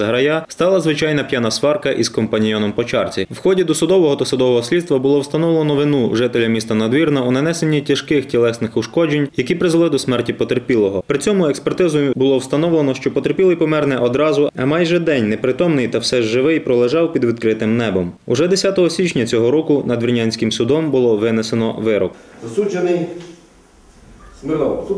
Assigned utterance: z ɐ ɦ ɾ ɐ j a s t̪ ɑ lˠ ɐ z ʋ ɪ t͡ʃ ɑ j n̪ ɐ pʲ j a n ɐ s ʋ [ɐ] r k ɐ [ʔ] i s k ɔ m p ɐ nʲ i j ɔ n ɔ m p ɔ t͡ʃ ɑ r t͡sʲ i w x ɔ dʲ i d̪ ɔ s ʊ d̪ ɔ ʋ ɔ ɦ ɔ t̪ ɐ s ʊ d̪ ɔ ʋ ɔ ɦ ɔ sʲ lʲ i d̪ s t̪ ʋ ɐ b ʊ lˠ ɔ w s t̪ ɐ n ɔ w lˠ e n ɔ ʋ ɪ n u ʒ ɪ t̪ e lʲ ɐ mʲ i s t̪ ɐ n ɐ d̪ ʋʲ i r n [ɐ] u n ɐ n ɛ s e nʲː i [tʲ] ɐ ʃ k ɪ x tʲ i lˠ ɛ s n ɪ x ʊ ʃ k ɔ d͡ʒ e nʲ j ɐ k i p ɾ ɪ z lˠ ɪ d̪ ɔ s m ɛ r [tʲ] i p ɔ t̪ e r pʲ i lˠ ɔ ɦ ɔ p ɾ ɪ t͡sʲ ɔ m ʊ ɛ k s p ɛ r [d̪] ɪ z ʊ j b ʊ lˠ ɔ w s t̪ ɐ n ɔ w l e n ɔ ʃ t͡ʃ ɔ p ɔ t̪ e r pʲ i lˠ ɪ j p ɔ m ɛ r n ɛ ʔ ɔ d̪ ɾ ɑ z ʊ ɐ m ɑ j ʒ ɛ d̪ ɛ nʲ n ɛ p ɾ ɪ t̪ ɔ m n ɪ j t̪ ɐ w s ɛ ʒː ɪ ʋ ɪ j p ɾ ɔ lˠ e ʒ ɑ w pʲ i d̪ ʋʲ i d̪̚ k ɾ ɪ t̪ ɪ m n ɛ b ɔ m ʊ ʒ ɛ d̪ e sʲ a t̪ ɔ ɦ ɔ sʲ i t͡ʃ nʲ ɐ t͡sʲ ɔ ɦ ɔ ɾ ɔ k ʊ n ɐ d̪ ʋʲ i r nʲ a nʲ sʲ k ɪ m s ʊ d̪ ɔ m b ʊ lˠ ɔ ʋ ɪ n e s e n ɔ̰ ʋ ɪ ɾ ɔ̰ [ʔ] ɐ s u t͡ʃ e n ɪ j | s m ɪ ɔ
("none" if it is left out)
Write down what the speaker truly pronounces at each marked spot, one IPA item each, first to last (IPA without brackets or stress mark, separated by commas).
ɑ, ʔ, ɐ, tʲ, tʲ, t̪, k